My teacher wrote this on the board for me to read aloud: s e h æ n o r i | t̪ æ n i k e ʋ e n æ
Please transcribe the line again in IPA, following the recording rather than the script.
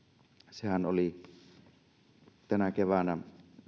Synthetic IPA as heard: s e h æ n o l i | t̪ æ n æ k e ʋ æ n æ